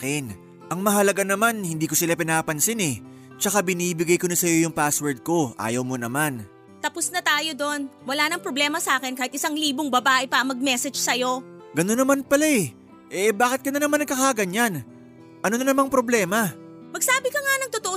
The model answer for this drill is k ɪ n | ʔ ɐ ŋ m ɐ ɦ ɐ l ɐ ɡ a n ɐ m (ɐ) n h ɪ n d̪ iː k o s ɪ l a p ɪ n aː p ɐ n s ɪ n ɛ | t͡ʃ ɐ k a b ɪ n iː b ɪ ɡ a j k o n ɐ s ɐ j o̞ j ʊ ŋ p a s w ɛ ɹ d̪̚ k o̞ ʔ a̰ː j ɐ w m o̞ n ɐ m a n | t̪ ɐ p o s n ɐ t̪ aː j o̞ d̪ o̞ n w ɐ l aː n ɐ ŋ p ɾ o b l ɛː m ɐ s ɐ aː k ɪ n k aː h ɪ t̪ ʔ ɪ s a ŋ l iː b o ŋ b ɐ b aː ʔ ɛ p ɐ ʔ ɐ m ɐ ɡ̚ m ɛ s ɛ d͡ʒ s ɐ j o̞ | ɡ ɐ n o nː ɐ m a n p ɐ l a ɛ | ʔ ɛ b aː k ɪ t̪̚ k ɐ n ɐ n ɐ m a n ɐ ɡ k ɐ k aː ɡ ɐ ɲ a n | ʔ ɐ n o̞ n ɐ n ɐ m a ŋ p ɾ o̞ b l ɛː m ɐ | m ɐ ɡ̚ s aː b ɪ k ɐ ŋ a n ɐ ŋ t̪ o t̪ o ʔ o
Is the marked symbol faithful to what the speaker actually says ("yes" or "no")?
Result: no